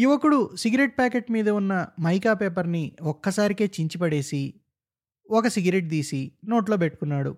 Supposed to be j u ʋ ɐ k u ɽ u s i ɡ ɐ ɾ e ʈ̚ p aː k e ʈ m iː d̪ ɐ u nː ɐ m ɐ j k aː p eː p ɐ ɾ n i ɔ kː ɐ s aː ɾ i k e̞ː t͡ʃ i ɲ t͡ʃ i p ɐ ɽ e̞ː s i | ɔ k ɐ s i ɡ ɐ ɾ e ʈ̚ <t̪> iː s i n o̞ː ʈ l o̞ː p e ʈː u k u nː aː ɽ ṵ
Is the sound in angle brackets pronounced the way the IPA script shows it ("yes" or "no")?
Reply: no